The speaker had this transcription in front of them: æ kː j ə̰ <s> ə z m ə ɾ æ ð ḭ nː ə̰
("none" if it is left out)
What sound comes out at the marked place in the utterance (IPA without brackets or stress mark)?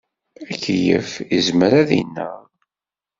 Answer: f